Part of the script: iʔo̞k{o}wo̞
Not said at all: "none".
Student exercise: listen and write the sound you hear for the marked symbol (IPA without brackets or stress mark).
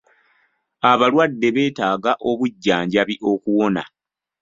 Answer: u